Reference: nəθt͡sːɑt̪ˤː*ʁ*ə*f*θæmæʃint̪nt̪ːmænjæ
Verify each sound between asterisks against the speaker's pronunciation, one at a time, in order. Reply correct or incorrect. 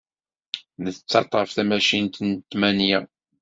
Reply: correct, correct

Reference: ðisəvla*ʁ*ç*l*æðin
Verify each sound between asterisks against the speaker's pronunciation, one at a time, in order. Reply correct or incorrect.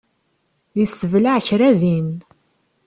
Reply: incorrect: ʕ, incorrect: ɾ

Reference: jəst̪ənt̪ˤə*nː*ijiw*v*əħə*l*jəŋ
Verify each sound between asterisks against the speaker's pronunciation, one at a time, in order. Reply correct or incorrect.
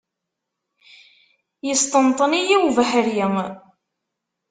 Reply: incorrect: n, correct, incorrect: ɾ

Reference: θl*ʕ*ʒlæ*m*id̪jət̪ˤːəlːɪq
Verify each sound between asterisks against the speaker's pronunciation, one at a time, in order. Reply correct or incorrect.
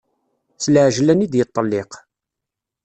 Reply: correct, incorrect: n

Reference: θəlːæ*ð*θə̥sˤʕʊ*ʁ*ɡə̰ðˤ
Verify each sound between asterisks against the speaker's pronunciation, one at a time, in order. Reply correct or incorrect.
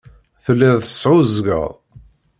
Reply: correct, incorrect: z

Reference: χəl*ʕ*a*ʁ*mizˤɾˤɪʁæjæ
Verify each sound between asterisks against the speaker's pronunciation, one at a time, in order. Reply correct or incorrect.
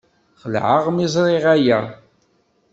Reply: correct, correct

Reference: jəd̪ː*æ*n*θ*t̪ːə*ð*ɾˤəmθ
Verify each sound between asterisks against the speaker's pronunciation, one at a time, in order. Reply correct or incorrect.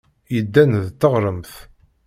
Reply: correct, incorrect: ð, incorrect: ʁ

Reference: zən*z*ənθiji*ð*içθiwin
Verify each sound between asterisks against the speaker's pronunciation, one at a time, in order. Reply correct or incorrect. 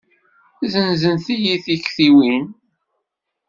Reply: correct, incorrect: θ

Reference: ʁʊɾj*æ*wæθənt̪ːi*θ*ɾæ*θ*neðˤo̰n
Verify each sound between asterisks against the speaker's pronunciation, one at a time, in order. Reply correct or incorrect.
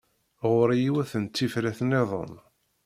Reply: incorrect: i, incorrect: f, correct

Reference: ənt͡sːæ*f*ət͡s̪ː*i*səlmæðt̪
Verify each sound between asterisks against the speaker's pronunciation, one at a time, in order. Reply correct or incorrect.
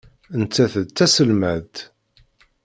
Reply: incorrect: θ, incorrect: æ

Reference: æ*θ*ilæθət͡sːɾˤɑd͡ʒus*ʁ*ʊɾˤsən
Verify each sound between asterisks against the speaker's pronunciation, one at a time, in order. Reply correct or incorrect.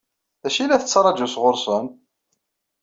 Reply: incorrect: ʃ, correct

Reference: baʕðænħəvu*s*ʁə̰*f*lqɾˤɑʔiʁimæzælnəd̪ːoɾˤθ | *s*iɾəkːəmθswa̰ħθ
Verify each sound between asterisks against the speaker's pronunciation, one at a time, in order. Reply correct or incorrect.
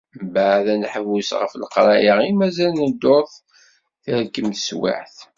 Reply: correct, correct, incorrect: θ

